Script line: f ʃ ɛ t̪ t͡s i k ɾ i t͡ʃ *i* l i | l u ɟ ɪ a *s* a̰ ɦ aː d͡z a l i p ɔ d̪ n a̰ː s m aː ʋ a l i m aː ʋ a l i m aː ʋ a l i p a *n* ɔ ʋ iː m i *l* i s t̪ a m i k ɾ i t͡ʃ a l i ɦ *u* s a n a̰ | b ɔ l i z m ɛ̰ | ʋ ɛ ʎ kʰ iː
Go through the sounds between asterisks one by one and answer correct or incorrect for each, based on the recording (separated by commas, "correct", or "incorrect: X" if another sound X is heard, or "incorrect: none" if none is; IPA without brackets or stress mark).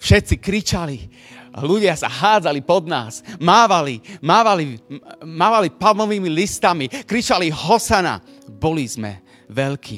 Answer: incorrect: a, correct, incorrect: m, correct, incorrect: ɔ